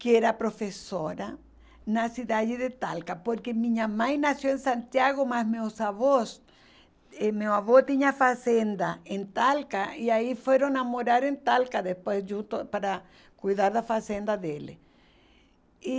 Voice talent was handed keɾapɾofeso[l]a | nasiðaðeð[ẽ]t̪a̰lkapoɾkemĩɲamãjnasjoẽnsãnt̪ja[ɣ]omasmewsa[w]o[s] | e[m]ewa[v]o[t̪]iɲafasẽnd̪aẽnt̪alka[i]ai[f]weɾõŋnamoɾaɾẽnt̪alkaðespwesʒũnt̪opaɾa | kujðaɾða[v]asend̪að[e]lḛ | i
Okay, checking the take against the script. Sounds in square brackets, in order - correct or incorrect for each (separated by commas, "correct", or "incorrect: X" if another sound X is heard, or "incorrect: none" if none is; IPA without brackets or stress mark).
incorrect: ɾ, incorrect: e, correct, incorrect: β, correct, correct, incorrect: β, correct, correct, correct, incorrect: f, correct